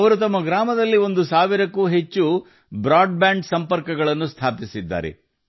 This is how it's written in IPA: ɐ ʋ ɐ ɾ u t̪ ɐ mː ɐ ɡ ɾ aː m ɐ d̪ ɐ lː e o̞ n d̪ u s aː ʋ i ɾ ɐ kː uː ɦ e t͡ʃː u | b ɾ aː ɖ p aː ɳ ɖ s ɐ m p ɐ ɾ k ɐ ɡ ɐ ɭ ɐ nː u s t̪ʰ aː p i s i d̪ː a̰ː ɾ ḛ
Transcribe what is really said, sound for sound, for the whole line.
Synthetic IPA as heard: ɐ ʋ ɐ ɾ u t̪ ɐ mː ɐ ɡ ɾ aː m ɐ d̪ ɐ lː i o̞ n d̪ u s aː ʋ i ɾ ɐ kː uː ɦ e t͡ʃː u | b ɾ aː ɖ b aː ɳ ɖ s ɐ m p ɐ ɾ k ɐ ɡ ɐ ɭ ɐ nː u s t̪ʰ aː p i s i d̪ː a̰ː ɾ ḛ